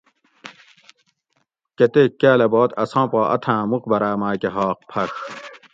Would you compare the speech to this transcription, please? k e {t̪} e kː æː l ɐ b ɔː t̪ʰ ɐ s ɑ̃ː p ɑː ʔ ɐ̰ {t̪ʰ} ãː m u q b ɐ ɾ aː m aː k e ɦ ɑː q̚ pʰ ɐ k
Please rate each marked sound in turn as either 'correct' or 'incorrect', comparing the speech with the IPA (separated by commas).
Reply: correct, correct